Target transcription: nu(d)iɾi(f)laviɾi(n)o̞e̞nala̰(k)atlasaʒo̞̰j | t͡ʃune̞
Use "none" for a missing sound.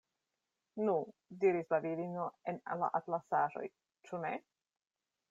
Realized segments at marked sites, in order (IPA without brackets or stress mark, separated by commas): d, s, n, ʔ